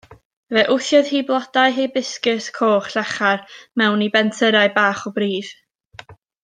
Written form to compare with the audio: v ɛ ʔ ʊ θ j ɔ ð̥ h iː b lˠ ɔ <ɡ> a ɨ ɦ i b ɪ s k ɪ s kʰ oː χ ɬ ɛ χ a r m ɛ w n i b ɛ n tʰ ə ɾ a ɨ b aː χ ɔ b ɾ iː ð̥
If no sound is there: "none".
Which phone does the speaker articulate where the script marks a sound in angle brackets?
d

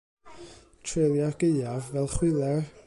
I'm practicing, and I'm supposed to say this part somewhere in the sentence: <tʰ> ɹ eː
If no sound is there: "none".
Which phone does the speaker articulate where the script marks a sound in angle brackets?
tʰ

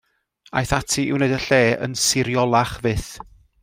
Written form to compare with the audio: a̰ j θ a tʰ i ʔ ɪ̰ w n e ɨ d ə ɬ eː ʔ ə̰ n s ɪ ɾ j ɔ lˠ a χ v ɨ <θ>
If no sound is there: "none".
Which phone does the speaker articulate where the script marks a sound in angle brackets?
θ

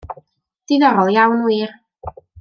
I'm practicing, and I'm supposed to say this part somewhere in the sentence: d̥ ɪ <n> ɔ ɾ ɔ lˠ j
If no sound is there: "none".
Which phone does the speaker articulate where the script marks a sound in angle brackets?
n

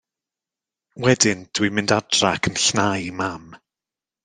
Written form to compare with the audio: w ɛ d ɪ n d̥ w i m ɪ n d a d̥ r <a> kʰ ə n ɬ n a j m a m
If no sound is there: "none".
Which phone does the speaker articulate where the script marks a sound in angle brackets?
a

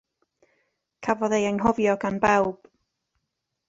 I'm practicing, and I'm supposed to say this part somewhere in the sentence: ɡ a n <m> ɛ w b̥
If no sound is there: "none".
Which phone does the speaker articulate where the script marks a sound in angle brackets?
b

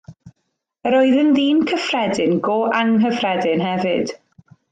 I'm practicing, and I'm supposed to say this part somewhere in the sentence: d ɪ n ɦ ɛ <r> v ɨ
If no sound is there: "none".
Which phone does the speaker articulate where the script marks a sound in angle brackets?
none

